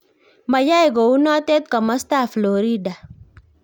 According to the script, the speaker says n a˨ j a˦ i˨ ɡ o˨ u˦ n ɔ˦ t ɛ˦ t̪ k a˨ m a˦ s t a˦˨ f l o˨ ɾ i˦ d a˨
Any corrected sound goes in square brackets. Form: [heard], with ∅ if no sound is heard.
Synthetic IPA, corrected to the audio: [m] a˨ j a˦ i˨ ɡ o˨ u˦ n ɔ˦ t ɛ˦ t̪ k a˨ m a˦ s t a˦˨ f l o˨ ɾ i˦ d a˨